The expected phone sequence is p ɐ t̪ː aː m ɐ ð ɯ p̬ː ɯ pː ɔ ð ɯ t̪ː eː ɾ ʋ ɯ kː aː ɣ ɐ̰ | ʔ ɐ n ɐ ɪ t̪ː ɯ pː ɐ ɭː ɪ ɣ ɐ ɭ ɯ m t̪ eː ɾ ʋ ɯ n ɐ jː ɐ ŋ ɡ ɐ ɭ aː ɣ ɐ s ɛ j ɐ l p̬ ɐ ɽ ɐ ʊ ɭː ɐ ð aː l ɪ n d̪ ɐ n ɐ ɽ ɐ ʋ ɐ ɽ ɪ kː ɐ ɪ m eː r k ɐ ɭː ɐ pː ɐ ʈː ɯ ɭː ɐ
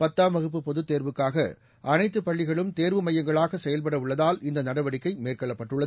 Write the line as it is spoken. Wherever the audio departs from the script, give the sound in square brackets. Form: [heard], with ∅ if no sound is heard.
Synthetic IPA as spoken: p ɐ t̪ː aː m ɐ [ɣ] ɯ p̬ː ɯ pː ɔ ð ɯ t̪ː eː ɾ ʋ ɯ kː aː ɣ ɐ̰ | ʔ ɐ n ɐ ɪ t̪ː ɯ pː ɐ ɭː ɪ ɣ ɐ ɭ ɯ m t̪ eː ɾ ʋ ɯ [m] ɐ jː ɐ ŋ ɡ ɐ ɭ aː ɣ ɐ s ɛ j ɐ l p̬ ɐ ɽ ɐ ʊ ɭː ɐ ð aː l ɪ n d̪ ɐ n ɐ ɽ ɐ ʋ ɐ ɽ ɪ kː ɐ ɪ m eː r k ɐ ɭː ɐ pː ɐ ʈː ɯ ɭː ɐ

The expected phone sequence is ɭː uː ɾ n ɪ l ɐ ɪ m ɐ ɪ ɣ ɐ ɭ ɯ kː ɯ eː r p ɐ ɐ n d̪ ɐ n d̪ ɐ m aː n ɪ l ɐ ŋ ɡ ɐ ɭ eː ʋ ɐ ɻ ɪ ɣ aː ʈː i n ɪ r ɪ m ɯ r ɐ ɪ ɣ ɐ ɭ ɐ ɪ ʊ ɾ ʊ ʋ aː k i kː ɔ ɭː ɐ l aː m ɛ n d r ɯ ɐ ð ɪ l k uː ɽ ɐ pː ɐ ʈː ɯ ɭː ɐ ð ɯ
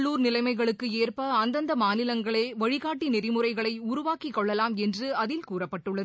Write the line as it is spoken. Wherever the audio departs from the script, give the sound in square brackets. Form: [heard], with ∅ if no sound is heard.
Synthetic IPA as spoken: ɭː uː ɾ n ɪ l ɐ ɪ m ɐ ɪ ɣ ɐ ɭ ɯ kː ɯ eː r p ɐ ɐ n d̪ ɐ n d̪ ɐ m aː n ɪ l ɐ ŋ ɡ ɐ ɭ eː ʋ ɐ ɻ ɪ ɣ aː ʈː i n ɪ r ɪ m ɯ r ɐ ɪ ɣ ɐ ɭ ɐ ɪ ʊ ɾ ʊ ʋ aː k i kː ɔ ɭː ɐ l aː m ɛ n d r ɯ ɐ ð ɪ l k uː [r] ɐ pː ɐ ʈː ɯ ɭː ɐ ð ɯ

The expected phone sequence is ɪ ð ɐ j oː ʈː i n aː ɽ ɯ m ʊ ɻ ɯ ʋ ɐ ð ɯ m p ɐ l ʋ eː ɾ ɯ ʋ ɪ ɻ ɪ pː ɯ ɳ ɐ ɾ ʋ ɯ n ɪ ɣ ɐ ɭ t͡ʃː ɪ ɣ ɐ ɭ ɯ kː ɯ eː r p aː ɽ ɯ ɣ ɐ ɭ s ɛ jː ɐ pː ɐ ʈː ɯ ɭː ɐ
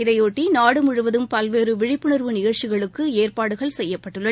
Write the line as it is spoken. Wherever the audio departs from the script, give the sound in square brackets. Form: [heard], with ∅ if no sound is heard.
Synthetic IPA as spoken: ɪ ð ɐ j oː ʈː i n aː ɽ ɯ m ʊ ɻ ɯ ʋ ɐ ð ɯ m p ɐ l ʋ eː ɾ ɯ ʋ ɪ ɻ ɪ pː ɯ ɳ ɐ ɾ ʋ ɯ n ɪ ɣ ɐ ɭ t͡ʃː ɪ ɣ ɐ ɭ ɯ kː ɯ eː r p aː ɽ ɯ ɣ ɐ ɭ s ɛ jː ɐ pː ɐ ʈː ɯ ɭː ɐ

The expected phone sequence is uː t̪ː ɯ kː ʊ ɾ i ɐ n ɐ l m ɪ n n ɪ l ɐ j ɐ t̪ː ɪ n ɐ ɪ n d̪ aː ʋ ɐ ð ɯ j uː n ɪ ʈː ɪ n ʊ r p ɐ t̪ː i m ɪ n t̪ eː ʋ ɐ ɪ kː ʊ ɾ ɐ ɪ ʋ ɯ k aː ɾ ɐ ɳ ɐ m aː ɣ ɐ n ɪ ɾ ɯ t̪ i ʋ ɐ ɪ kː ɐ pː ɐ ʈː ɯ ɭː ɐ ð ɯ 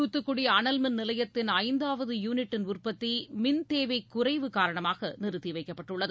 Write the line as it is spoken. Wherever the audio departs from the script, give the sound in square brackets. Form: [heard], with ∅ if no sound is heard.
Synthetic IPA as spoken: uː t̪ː ɯ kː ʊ [ɽ] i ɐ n ɐ l m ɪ n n ɪ l ɐ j ɐ t̪ː ɪ n ɐ ɪ n d̪ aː ʋ ɐ ð ɯ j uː n ɪ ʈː ɪ n ʊ r p ɐ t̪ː i m ɪ n t̪ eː ʋ ɐ ɪ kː ʊ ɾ ɐ ɪ ʋ ɯ k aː ɾ ɐ ɳ ɐ m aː ɣ ɐ n ɪ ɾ ɯ t̪ i ʋ ɐ ɪ kː ɐ pː ɐ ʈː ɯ ɭː ɐ ð ɯ

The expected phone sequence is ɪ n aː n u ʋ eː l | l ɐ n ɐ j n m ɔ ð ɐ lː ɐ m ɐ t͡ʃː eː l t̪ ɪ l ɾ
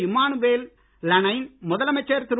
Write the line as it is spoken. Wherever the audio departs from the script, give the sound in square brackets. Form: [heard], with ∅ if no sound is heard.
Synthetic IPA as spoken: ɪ [m] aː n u ʋ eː l | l ɐ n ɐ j n m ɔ ð ɐ [l] ɐ m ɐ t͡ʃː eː [ɾ] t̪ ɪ [∅] ɾ

